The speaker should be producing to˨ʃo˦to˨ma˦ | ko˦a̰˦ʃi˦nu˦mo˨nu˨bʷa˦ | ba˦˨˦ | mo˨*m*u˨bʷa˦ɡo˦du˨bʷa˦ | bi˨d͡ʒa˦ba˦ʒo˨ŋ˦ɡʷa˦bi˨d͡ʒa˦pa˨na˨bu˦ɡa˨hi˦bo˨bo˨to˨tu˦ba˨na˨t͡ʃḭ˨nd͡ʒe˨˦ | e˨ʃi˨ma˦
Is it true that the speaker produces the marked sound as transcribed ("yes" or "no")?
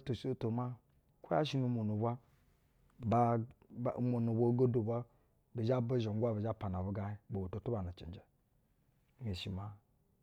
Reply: no